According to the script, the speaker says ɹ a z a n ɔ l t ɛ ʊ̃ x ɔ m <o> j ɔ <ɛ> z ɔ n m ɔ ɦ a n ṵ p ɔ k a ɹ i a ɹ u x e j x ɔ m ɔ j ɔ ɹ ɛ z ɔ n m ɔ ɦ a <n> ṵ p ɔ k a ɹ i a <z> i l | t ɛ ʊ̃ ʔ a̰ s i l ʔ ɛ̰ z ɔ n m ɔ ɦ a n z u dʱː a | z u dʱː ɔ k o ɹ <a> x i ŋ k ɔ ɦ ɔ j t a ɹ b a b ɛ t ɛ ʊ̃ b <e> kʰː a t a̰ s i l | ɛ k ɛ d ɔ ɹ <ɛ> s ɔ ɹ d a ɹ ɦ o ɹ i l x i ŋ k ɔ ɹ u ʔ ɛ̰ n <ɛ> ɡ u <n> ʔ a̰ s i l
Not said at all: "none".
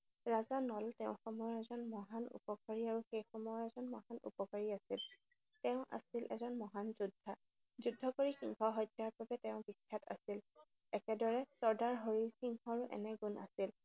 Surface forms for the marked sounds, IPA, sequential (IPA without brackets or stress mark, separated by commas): ɔ, ɛ, n, s, i, i, ɛ, ɛ, n